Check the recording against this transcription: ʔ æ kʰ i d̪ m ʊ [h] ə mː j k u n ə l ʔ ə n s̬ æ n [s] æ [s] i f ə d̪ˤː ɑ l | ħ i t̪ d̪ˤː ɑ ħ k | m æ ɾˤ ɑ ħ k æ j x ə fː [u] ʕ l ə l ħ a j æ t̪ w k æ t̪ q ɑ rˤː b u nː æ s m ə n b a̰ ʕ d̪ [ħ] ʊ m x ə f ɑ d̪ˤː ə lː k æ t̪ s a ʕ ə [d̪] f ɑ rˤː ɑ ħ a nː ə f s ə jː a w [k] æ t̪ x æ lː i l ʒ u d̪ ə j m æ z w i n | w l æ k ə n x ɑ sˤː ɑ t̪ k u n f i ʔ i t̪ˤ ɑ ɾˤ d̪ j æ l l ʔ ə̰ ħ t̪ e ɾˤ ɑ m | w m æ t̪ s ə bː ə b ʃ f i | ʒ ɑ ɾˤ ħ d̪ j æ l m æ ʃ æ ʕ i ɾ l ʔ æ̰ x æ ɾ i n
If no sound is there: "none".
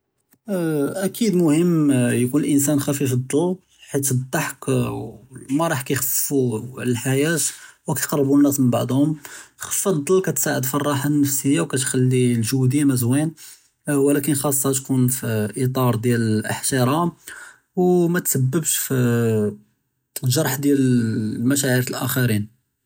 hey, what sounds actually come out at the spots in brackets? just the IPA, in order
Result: h, x, f, u, h, d̪, k

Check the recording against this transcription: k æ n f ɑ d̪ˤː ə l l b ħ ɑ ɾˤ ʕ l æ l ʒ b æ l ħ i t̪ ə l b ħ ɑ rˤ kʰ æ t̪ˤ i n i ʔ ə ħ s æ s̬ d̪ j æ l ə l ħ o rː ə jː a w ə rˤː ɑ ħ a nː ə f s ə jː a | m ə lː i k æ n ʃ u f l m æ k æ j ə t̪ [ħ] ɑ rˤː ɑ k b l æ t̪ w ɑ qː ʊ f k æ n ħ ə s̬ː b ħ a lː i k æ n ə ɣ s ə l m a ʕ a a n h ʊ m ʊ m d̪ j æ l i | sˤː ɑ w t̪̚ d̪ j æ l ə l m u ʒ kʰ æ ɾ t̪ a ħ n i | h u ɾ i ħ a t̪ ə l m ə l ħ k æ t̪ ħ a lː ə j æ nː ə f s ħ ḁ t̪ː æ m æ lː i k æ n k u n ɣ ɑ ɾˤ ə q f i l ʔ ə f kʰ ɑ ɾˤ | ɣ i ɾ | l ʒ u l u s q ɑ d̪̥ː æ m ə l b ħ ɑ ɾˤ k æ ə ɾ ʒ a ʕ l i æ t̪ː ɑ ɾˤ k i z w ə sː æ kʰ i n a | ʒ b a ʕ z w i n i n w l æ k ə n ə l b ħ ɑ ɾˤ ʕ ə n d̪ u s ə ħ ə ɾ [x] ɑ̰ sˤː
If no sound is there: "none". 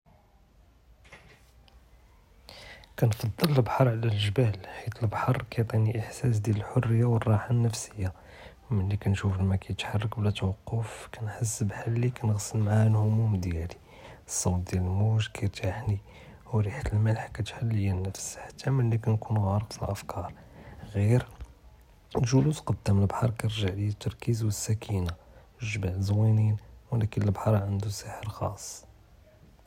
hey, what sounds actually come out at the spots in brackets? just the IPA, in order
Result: ħ, x

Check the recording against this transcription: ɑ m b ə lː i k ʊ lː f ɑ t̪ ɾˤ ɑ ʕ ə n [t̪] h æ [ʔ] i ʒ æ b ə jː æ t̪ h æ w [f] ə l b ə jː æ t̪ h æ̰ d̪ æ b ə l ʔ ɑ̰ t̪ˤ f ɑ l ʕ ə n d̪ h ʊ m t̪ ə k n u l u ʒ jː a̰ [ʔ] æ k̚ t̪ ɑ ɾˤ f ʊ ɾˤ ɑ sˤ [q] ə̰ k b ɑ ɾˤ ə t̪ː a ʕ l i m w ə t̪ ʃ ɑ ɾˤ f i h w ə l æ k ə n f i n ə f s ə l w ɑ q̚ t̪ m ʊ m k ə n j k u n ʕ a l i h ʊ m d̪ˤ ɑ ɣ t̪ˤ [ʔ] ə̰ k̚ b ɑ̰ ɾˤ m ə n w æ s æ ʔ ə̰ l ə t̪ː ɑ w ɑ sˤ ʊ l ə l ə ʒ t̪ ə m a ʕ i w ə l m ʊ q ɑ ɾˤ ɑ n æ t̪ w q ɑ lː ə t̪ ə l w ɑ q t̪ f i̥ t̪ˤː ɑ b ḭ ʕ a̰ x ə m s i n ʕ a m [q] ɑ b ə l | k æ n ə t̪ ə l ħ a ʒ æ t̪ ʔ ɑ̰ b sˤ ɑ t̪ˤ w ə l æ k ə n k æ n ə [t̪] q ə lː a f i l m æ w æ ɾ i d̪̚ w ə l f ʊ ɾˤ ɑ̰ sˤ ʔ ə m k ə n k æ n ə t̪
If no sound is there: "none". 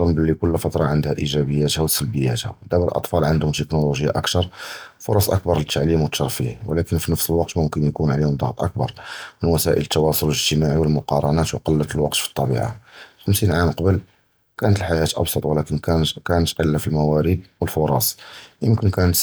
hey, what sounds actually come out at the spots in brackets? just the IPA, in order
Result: d̪, ʔ, s, ʔ, ʔ, ʔ, q, t̪

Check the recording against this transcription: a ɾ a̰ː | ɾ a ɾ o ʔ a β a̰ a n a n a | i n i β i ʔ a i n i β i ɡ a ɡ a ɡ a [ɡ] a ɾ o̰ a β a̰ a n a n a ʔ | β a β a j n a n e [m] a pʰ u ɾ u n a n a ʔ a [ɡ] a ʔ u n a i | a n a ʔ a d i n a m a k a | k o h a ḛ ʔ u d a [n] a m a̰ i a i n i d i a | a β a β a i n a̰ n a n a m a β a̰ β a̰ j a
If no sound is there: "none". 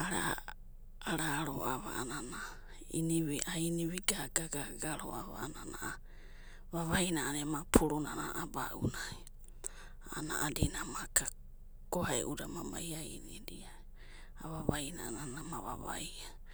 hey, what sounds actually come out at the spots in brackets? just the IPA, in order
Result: ɡ, m, b, m

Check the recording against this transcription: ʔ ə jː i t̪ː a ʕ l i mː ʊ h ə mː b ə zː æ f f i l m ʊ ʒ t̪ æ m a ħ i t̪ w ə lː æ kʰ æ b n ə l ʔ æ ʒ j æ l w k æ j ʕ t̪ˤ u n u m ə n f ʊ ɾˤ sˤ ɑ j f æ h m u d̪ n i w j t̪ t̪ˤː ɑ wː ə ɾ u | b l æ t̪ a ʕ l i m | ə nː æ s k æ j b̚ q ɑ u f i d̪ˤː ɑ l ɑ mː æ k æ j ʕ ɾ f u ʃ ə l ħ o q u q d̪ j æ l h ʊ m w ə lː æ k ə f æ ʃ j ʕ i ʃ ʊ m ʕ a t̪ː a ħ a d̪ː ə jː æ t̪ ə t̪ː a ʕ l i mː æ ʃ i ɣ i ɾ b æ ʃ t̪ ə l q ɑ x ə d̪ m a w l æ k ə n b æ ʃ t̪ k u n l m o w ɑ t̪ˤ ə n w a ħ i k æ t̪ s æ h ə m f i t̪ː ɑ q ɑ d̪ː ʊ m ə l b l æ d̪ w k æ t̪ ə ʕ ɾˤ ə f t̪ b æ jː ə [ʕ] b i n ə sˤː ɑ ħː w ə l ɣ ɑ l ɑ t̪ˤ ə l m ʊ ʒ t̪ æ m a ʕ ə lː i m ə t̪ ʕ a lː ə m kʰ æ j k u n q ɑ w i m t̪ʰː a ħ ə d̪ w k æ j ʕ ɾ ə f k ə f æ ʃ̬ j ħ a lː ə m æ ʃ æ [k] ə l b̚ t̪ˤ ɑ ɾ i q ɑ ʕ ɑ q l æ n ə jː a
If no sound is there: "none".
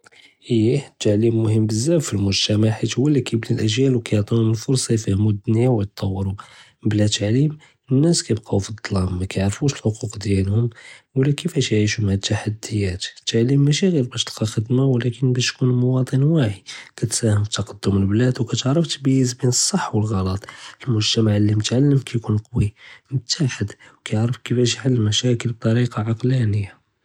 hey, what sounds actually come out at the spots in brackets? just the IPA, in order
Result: z, k

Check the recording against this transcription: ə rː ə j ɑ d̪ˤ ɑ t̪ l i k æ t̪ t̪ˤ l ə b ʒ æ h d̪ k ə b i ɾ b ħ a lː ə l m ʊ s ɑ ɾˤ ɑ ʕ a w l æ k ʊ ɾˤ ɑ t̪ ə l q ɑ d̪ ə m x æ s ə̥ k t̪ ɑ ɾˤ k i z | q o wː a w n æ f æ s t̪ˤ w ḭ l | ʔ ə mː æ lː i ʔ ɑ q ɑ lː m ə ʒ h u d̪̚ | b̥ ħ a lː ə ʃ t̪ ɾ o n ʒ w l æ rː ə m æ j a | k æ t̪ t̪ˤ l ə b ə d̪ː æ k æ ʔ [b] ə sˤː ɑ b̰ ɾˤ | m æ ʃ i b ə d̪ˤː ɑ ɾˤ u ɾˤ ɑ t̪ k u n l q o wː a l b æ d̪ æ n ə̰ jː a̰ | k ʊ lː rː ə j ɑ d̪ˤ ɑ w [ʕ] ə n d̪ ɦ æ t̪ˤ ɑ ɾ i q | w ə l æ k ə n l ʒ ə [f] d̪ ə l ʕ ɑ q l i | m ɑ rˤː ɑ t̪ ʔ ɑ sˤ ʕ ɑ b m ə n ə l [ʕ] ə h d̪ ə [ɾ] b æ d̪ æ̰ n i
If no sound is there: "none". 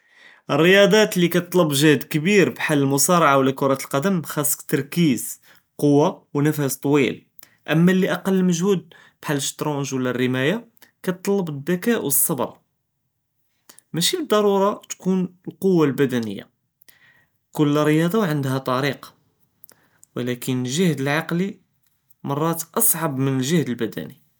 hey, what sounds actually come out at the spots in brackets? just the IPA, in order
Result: w, ʕ, h, ʒ, l

